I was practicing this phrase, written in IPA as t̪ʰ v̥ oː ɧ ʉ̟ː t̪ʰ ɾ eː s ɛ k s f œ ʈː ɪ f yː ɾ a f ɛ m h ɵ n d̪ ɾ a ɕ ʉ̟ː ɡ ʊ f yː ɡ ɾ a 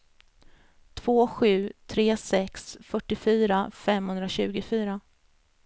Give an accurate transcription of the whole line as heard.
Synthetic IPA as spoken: t̪ʰ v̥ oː ɧ ʉ̟ː t̪ʰ ɾ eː s ɛ k s f œ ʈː ɪ f yː ɾ a f ɛ m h ɵ n d̪ ɾ a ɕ ʉ̟ː ɡ ʊ f yː ɾ a